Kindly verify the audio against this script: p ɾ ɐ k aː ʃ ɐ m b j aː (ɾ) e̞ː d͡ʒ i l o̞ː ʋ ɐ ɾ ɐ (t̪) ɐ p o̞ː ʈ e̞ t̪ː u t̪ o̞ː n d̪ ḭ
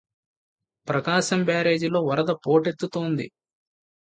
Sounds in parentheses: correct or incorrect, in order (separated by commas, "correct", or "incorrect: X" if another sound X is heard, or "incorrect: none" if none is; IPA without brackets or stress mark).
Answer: correct, incorrect: d̪